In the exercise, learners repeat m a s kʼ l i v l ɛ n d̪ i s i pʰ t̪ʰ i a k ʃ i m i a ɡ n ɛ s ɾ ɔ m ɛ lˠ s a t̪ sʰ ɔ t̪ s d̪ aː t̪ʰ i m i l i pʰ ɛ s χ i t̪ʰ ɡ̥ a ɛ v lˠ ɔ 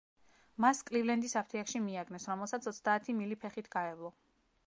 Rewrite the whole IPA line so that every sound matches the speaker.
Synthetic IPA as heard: m a s kʼ l i v l ɛ n d̪ i s a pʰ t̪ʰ i a k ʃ i m i a ɡ n ɛ s ɾ ɔ m ɛ lˠ s a t̪ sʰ ɔ t̪ s d̪ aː t̪ʰ i m i l i pʰ ɛ χ i t̪ʰ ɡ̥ a ɛ v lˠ ɔ